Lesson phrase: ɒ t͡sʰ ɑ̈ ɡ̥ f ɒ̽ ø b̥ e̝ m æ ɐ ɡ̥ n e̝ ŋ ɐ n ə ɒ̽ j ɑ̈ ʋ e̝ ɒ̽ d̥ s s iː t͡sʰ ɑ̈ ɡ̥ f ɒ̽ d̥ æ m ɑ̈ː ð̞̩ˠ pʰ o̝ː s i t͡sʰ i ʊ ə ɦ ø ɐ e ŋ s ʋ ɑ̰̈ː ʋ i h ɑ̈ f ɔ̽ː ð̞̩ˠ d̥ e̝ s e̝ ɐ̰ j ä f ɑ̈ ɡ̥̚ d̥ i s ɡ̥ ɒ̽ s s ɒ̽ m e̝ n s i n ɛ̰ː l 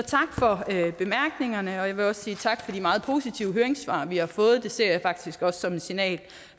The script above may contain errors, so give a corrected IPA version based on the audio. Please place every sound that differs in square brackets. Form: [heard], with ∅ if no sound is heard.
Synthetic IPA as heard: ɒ t͡sʰ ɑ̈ ɡ̥ f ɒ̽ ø b̥ e̝ m æ ɐ ɡ̥ n e̝ ŋ ɐ n ə ɒ̽ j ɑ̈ ʋ e̝ ɒ̽ [∅] s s iː t͡sʰ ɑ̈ ɡ̥ f ɒ̽ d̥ [i] m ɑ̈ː ð̞̩ˠ pʰ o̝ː s i t͡sʰ i ʊ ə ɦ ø ɐ e ŋ s ʋ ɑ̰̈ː ʋ i h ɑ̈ f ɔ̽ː ð̞̩ˠ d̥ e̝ s e̝ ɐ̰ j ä f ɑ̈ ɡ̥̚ d̥ i s ɡ̥ ɒ̽ s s ɒ̽ m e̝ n s i n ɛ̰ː l